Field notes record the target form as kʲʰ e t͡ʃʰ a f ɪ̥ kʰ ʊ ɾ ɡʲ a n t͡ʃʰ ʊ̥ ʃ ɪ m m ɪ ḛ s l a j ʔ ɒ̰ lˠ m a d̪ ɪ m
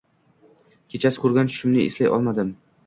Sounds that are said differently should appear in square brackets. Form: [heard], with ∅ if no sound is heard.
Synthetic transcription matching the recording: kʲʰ e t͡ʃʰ a [s] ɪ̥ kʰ ʊ ɾ ɡʲ a n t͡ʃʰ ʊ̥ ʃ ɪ m [n] ɪ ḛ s l a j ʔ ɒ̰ lˠ m a d̪ ɪ m